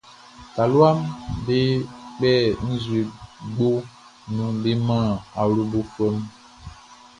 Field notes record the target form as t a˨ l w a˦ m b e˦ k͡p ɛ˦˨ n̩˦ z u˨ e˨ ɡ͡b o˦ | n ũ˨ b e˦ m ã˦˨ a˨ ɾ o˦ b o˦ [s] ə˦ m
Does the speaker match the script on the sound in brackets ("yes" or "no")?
no